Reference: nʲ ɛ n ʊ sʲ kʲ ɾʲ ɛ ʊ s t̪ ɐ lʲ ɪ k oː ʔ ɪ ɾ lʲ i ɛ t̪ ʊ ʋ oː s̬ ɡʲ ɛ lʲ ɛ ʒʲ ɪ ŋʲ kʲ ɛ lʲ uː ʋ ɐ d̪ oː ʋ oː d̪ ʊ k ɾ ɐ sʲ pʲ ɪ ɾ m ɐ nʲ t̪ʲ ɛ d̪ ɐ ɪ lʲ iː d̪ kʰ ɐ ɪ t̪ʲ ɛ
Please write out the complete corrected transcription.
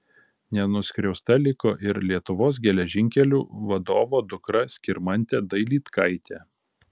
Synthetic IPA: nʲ ɛ n ʊ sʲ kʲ ɾʲ ɛ ʊ s t̪ ɐ lʲ ɪ k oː ʔ ɪ ɾ lʲ i ɛ t̪ ʊ ʋ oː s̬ ɡʲ ɛ lʲ ɛ ʒʲ ɪ ŋʲ kʲ ɛ lʲ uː ʋ ɐ d̪ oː ʋ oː d̪ ʊ k ɾ ɐ sʲ kʲ ɪ ɾ m ɐ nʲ t̪ʲ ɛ d̪ ɐ ɪ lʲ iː t̪ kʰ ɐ ɪ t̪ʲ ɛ